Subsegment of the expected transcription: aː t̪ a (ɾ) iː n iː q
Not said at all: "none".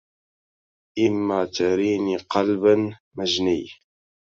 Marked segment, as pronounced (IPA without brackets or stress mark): ɾ